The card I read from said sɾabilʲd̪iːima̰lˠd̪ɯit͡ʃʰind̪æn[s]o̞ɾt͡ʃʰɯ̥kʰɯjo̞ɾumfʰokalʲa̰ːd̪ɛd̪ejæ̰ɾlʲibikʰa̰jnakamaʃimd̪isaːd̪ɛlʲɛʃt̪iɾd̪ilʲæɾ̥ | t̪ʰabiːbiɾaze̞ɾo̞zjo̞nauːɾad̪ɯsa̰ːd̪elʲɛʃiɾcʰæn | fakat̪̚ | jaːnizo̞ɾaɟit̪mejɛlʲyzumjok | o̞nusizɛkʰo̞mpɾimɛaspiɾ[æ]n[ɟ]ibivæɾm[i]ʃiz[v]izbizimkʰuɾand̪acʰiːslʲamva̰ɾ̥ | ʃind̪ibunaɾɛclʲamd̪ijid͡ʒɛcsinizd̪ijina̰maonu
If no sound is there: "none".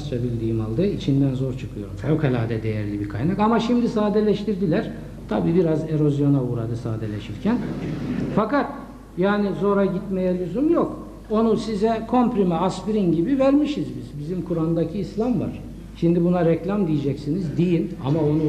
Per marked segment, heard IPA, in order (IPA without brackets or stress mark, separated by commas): z, i, ɟ, i, b